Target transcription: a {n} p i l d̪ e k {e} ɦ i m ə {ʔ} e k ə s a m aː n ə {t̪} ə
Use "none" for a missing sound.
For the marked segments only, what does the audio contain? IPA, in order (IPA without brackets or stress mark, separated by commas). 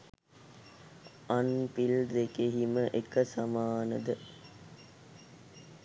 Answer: n, e, ʔ, d̪